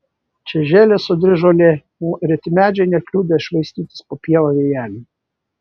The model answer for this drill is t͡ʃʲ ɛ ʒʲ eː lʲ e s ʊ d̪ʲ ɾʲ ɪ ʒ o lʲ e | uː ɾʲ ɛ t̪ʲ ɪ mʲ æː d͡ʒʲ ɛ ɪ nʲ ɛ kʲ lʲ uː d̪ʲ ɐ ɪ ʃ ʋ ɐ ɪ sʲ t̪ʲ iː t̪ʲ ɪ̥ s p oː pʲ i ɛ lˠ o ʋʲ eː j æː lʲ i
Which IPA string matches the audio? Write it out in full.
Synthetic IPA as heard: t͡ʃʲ ɛ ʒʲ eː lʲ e s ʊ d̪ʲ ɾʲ ɪ ʒ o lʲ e | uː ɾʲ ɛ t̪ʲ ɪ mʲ æː d͡ʒʲ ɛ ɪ nʲ ɛ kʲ lʲ uː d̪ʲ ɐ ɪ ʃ ʋ ɐ ɪ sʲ t̪ʲ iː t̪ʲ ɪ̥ s p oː pʲ i ɛ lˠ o ʋʲ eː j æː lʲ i

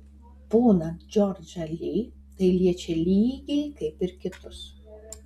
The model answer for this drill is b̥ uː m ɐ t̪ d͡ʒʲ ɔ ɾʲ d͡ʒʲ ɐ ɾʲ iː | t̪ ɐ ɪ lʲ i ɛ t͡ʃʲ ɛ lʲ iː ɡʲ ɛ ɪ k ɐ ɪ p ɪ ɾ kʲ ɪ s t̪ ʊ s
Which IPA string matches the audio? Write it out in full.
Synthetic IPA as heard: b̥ uː n ɐ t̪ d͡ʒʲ ɔ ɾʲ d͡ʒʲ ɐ lʲ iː | t̪ ɐ ɪ lʲ i ɛ t͡ʃʲ ɛ lʲ iː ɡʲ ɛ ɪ k ɐ ɪ p ɪ ɾ kʲ ɪ t̪ ʊ s

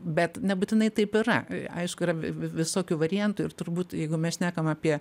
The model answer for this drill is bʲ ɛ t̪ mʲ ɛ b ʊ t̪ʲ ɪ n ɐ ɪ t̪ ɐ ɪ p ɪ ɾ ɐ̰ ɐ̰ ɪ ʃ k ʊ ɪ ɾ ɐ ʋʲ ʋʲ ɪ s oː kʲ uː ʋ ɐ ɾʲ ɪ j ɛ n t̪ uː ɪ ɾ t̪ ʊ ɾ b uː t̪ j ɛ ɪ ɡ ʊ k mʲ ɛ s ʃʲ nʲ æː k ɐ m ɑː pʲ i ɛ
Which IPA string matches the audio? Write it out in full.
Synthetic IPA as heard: bʲ ɛ t̪ nʲ ɛ b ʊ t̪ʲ ɪ n ɐ ɪ t̪ ɐ ɪ p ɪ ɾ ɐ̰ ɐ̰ ɪ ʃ k ʊ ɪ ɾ ɐ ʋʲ ʋʲ ɪ s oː kʲ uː ʋ ɐ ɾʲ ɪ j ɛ n t̪ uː ɪ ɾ t̪ ʊ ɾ b uː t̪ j ɛ ɪ ɡ ʊ mʲ ɛ s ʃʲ nʲ æː k ɐ m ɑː pʲ i ɛ

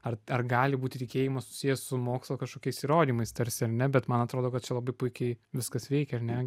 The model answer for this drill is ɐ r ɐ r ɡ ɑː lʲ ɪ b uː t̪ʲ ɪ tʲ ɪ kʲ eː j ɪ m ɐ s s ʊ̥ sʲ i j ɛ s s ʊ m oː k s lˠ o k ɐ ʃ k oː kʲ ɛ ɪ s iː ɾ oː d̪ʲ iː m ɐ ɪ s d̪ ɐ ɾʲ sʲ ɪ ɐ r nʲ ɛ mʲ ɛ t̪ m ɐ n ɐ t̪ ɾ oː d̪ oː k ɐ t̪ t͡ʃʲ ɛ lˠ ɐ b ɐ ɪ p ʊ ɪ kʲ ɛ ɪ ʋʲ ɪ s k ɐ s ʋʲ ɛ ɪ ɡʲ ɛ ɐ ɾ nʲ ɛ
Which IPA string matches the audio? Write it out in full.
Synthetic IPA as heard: ɐ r ɐ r ɡ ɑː lʲ ɪ b uː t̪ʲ ɪ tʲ ɪ kʲ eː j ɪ m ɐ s s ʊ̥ sʲ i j ɛ s s ʊ m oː k s lˠ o k ɐ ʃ k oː kʲ ɛ ɪ s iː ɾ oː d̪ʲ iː m ɐ ɪ s t̪ ɐ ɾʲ sʲ ɪ ɐ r nʲ ɛ bʲ ɛ t̪ m ɐ n ɐ t̪ ɾ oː d̪ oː k ɐ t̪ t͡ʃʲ ɛ lˠ ɐ b ɐ ɪ p ʊ ɪ kʲ ɛ ɪ ʋʲ ɪ s k ɐ s ʋʲ ɛ ɪ kʲ ɛ ɐ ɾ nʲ ɛ

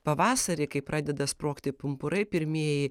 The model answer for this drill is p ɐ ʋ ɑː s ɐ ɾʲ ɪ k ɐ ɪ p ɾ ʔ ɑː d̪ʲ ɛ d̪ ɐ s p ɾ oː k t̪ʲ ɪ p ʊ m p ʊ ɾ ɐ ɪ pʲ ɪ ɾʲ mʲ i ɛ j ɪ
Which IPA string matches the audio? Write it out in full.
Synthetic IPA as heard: p ɐ ʋ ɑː s ɐ ɾʲ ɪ k ɐ ɪ p ɾ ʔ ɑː d̪ʲ ɛ d̪ ɐ s p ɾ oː k t̪ʲ ɪ p ʊ m p ʊ ɾ ɐ ɪ pʲ ɪ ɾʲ mʲ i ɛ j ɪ

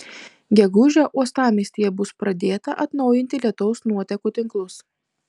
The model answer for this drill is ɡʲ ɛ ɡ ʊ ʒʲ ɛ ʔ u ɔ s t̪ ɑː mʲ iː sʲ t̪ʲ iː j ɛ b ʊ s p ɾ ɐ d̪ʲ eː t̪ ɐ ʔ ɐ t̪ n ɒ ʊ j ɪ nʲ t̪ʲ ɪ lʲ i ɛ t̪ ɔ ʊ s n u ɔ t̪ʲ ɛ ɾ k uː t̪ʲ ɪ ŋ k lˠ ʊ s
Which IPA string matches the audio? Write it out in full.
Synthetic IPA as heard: ɡʲ ɛ ɡ ʊ ʒʲ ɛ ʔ u ɔ s t̪ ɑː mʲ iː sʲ t̪ʲ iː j ɛ b ʊ s p ɾ ɐ d̪ʲ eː t̪ ɐ ʔ ɐ t̪ n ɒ ʊ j ɪ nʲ t̪ʲ ɪ lʲ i ɛ t̪ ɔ ʊ s n u ɔ t̪ʲ ɛ k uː t̪ʲ ɪ ŋ k lˠ ʊ s

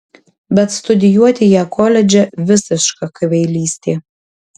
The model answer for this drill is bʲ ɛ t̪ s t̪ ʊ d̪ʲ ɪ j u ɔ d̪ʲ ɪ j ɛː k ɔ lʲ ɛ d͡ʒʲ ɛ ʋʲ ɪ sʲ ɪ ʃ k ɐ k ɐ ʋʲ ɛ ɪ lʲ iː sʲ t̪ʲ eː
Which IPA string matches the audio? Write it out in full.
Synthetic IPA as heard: bʲ ɛ t̪ s t̪ ʊ d̪ʲ ɪ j u ɔ t̪ʲ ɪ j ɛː k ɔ lʲ ɛ d͡ʒʲ ɛ ʋʲ ɪ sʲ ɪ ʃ k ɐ k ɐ ʋʲ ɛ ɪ lʲ iː sʲ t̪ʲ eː

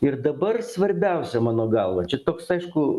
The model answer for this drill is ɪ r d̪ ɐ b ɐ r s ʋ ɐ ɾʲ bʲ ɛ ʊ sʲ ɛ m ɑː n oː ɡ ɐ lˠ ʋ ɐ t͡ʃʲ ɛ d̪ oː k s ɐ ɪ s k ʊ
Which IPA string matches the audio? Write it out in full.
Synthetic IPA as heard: ɪ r d̪ ɐ b ɐ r s ʋ ɐ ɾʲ bʲ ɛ ʊ sʲ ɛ m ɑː n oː ɡ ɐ lˠ ʋ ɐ t͡ʃʲ ɛ t̪ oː k s ɐ ɪ ʃ k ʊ

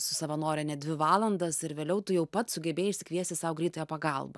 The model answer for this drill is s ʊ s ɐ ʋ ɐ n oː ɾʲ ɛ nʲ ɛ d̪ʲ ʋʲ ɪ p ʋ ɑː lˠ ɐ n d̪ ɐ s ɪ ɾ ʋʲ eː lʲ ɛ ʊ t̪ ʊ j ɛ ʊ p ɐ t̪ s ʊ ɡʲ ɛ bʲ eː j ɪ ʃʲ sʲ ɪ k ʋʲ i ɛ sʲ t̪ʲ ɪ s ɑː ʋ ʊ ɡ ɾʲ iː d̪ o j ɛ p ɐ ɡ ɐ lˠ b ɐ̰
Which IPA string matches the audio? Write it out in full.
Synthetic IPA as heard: s ʊ s ɐ ʋ ɐ n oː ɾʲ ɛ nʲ ɛ d̪ʲ ʋʲ ɪ ʋ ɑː lˠ ɐ n d̪ ɐ s ɪ ɾ ʋʲ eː lʲ ɛ ʊ t̪ ʊ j ɛ ʊ p ɐ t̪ s ʊ ɡʲ ɛ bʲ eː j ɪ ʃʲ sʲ ɪ k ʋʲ i ɛ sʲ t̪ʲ ɪ s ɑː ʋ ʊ ɡ ɾʲ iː t̪ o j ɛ p ɐ ɡ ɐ lˠ b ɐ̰

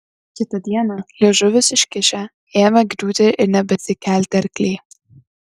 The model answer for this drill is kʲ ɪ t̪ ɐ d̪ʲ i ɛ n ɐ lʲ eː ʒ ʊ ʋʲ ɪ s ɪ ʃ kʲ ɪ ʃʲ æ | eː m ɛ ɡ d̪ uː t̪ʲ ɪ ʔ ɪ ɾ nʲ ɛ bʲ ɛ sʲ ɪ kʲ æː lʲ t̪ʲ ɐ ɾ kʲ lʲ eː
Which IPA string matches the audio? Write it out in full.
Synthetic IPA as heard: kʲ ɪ t̪ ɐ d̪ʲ i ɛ n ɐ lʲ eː ʒ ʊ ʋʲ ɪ s ɪ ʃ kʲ ɪ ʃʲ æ | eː m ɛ ɡ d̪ uː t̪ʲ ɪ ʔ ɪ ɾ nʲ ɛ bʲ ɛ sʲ ɪ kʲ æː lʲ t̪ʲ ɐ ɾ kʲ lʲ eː

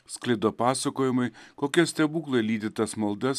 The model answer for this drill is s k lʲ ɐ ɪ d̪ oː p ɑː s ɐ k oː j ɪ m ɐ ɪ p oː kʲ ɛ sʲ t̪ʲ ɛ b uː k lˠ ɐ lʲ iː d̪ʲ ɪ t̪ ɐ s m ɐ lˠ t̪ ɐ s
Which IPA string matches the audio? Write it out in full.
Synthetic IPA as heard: s k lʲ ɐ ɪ d̪ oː p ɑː s ɐ k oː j ɪ m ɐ ɪ k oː kʲ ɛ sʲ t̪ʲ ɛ b uː k lˠ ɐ lʲ iː d̪ʲ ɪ t̪ ɐ s m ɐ lˠ d̪ ɐ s

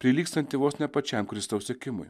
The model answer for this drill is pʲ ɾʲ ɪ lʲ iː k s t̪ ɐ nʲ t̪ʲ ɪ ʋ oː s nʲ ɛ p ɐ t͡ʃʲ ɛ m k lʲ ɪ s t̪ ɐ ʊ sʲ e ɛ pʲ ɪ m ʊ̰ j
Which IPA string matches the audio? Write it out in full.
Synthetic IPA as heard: pʲ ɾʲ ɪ lʲ iː k s t̪ ɐ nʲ t̪ʲ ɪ ʋ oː s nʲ ɛ p ɐ t͡ʃʲ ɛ m k ɾʲ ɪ s t̪ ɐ ʊ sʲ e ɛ kʲ ɪ m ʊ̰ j

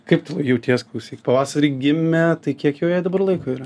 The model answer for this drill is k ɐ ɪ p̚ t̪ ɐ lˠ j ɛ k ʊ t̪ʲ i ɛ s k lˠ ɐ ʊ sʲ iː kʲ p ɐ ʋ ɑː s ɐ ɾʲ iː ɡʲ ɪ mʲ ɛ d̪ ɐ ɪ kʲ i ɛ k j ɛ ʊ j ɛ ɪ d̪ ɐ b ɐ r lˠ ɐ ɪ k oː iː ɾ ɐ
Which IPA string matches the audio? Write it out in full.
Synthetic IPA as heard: k ɐ ɪ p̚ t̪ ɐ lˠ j ɛ ʊ t̪ʲ i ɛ s k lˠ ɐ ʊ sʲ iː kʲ p ɐ ʋ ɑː s ɐ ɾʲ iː ɡʲ ɪ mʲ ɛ t̪ ɐ ɪ kʲ i ɛ k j ɛ ʊ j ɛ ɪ d̪ ɐ b ɐ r lˠ ɐ ɪ k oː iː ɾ ɐ

